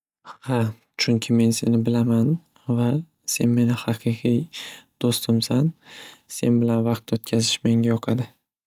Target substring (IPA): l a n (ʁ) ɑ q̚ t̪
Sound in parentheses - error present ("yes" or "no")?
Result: yes